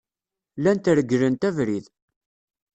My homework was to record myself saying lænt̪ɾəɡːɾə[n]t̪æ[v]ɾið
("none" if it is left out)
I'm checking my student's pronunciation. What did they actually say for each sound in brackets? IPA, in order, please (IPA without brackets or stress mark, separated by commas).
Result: n, v